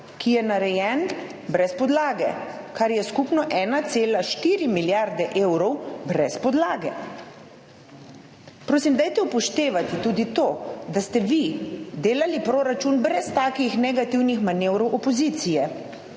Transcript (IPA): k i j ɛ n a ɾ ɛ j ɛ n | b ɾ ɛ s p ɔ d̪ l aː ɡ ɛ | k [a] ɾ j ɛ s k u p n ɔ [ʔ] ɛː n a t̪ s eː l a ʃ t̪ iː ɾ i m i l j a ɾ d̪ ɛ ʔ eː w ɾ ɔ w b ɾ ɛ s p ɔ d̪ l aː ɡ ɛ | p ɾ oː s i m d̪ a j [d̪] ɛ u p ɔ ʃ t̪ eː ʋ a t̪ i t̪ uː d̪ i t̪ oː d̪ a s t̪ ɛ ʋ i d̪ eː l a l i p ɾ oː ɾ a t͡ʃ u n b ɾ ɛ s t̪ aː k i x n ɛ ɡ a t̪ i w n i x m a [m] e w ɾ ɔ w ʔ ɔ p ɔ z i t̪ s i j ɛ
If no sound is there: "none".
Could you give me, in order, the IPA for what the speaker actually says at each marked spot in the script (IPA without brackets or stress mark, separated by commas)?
a, ʔ, t̪, n